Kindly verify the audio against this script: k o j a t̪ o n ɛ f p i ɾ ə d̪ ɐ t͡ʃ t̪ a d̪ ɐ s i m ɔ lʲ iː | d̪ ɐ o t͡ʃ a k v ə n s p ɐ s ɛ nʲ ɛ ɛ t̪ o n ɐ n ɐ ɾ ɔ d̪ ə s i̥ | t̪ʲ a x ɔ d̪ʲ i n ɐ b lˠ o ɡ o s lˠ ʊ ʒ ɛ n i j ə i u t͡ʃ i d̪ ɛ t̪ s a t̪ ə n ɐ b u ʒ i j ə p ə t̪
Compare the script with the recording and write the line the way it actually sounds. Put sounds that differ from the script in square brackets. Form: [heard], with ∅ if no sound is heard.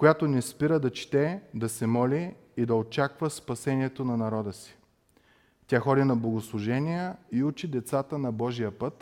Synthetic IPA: k o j a t̪ o n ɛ [s] p i ɾ ə d̪ ɐ t͡ʃ t̪ [ɛ] d̪ ɐ s [ɛ] m ɔ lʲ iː | d̪ ɐ o t͡ʃ a k v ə [∅] s p ɐ s ɛ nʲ [i] ɛ t̪ o n ɐ n ɐ ɾ ɔ d̪ ə s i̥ | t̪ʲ a x ɔ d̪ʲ i n ɐ b lˠ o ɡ o s lˠ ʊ ʒ ɛ n i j ə i u t͡ʃ i d̪ ɛ t̪ s a t̪ ə n ɐ b [ɔ] ʒ i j ə p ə t̪